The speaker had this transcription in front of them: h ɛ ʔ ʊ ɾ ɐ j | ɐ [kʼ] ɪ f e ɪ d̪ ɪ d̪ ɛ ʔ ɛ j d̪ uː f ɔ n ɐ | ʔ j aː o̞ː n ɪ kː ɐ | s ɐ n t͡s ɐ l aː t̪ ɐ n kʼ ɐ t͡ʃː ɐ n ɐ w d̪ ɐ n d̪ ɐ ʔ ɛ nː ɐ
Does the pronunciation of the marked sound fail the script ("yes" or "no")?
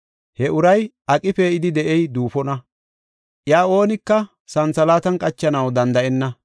no